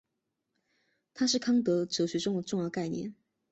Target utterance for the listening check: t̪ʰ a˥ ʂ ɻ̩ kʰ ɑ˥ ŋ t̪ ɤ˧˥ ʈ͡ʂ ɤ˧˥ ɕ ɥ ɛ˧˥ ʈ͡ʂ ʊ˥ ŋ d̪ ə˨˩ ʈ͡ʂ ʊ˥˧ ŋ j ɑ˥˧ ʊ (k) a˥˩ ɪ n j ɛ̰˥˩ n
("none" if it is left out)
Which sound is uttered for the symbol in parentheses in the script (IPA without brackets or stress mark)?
k